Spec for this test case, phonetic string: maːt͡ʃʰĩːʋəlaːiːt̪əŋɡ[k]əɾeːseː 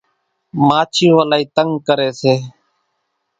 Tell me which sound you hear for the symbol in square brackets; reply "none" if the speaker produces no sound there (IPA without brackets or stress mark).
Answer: k